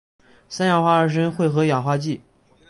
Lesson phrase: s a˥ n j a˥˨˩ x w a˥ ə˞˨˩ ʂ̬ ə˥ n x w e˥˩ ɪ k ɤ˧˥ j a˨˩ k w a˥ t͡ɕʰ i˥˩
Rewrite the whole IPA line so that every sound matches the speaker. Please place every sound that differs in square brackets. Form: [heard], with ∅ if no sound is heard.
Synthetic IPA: s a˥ n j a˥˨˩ x w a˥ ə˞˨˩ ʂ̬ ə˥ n x w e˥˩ ɪ [x] ɤ˧˥ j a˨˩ [x] w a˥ [t͡ɕ] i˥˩